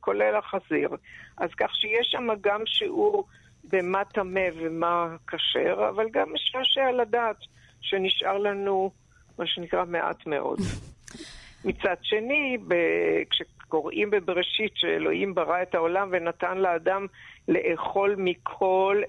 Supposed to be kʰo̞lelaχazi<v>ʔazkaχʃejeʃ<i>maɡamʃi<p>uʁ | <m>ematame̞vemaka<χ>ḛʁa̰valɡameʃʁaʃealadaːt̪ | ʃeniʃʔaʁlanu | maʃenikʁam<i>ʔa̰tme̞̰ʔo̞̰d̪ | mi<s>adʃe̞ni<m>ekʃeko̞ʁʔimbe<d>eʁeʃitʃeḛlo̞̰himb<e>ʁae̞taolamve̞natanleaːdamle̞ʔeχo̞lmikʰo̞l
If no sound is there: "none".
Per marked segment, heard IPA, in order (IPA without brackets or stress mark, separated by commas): ʁ, a, ʔ, b, ʃ, e, t͡s, b, b, a